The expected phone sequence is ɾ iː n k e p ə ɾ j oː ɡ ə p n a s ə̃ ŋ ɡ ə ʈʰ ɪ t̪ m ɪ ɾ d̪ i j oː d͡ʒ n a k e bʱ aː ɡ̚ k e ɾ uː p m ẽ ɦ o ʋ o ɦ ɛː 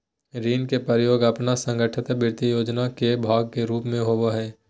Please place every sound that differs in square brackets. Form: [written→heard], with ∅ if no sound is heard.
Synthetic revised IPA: ɾ iː n k e p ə ɾ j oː ɡ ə p n a s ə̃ ŋ ɡ ə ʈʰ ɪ t̪ [m→b] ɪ ɾ [d̪→t̪] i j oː d͡ʒ n a k e bʱ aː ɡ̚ k e ɾ uː p m ẽ ɦ o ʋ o ɦ ɛː